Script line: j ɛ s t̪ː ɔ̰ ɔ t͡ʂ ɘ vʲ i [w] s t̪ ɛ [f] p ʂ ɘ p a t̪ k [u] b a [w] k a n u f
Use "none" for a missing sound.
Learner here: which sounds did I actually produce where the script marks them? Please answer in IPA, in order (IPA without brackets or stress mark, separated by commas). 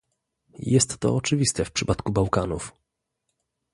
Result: none, f, u, w